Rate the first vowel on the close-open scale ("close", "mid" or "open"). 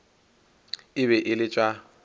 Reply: close